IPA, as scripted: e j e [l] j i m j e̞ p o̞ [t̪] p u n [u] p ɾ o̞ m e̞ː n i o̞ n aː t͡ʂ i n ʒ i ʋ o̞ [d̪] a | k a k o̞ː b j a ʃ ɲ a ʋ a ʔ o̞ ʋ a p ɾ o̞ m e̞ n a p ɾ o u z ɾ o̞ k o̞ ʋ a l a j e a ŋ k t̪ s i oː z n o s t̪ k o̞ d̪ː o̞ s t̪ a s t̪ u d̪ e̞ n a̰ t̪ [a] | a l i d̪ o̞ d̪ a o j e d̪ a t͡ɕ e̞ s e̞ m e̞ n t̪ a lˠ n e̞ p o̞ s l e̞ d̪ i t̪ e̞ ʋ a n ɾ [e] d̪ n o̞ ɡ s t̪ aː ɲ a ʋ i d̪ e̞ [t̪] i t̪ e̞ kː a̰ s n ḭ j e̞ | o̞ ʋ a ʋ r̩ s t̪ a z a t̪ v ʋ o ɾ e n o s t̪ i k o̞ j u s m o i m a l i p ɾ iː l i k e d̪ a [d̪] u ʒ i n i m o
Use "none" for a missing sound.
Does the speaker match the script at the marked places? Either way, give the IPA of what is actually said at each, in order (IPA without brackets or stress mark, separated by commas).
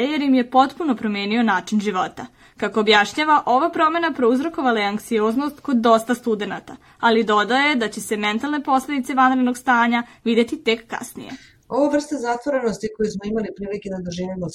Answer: ɾ, t̪, o, t̪, a, e, t̪, d̪